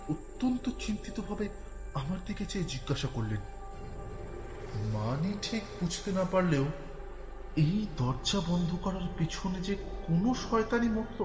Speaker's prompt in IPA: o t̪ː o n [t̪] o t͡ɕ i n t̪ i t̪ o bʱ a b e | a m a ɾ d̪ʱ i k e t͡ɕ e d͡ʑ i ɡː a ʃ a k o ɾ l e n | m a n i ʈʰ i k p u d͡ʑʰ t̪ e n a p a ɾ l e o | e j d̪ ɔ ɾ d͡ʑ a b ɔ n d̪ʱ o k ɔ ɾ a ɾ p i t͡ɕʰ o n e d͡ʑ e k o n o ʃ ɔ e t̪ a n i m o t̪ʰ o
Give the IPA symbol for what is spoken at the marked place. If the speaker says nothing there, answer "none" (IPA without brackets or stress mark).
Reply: t̪